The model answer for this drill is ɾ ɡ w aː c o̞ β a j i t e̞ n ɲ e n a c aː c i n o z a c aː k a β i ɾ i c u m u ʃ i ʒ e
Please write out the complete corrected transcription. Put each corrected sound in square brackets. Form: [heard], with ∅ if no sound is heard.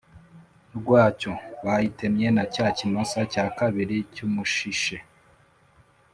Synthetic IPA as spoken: ɾ ɡ w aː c o̞ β a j i t e̞ [m] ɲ e n a c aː c i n o [s] a c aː k a β i ɾ i c u m u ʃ i [ʃ] e